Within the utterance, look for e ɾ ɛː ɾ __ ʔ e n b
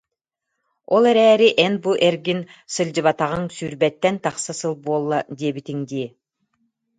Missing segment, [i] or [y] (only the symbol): i